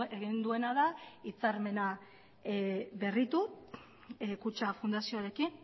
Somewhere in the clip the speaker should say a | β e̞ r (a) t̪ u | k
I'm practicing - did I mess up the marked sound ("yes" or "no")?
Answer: yes